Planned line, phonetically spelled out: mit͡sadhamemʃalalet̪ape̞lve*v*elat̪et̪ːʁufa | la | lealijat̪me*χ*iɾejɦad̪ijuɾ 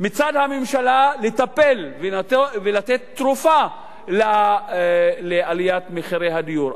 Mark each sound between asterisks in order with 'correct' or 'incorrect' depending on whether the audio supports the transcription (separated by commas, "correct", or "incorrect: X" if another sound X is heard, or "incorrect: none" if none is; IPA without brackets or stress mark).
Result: correct, correct